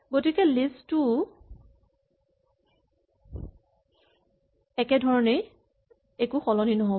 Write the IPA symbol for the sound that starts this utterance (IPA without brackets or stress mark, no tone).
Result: ɡ